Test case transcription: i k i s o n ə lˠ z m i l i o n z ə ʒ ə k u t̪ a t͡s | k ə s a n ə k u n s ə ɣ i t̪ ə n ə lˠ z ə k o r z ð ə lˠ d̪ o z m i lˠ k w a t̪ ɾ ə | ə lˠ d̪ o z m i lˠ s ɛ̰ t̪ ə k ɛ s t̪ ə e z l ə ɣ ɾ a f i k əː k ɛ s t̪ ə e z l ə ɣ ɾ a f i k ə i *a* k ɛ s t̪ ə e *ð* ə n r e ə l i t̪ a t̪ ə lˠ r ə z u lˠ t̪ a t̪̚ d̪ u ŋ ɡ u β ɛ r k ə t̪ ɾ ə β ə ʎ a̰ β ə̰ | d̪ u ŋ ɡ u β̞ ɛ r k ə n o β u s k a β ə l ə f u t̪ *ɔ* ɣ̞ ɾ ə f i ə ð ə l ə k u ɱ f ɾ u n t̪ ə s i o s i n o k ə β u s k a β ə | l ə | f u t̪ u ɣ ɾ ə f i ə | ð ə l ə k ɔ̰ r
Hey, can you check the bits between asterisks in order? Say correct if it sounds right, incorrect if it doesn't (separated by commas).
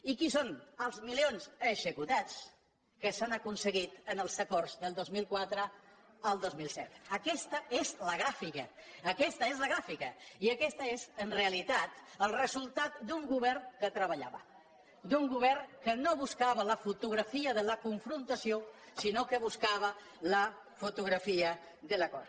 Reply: incorrect, incorrect, incorrect